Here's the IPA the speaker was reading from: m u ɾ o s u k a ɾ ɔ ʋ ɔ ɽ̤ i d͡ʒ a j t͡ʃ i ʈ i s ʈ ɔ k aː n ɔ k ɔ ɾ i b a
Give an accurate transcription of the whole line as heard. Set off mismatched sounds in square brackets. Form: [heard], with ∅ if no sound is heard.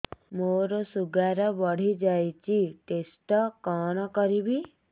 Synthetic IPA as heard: m [o] ɾ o s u [ɡ] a ɾ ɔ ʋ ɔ ɽ̤ i d͡ʒ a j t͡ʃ i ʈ [e] s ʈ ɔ k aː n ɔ k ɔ ɾ i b [i]